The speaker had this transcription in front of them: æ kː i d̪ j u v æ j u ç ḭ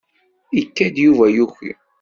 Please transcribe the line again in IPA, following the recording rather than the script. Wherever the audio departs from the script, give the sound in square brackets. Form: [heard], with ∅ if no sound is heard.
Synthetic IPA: [i] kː [æ] d̪ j u v æ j u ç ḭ